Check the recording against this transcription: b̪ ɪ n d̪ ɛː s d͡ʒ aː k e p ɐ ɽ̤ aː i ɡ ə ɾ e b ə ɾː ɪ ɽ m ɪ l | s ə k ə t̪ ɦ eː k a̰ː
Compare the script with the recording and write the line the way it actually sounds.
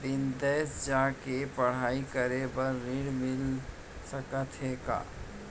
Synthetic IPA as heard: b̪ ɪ n d̪ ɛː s d͡ʒ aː k e p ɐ ɽ̤ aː i k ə ɾ e b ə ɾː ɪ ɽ m ɪ l | s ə k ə t̪ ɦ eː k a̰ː